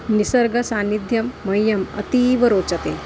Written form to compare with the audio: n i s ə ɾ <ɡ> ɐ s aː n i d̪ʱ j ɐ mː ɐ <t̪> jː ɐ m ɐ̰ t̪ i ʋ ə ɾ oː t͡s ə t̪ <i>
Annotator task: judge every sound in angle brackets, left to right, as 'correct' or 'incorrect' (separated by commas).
correct, incorrect, incorrect